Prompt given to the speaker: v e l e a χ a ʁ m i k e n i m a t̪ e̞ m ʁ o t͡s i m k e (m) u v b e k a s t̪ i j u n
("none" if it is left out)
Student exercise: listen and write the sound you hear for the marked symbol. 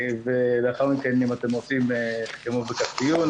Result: m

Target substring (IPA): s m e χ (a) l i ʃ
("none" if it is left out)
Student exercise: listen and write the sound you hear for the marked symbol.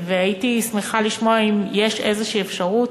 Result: a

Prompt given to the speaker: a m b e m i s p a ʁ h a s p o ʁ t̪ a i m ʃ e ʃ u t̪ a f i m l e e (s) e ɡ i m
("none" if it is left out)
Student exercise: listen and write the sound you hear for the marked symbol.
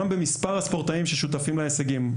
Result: s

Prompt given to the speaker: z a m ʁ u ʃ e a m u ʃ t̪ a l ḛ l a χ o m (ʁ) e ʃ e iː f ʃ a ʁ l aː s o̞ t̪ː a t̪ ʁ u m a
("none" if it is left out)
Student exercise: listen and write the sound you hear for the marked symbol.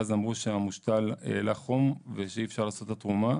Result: v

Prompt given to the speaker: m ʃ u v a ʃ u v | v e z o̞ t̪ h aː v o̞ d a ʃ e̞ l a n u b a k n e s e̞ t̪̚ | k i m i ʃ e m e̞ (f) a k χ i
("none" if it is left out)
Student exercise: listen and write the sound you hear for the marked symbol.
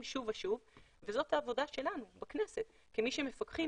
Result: f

